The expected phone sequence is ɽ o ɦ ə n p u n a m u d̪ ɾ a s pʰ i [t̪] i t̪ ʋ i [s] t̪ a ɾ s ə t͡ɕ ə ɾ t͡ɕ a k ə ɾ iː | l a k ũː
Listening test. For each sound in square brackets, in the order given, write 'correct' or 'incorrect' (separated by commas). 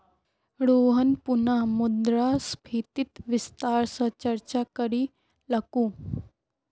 correct, correct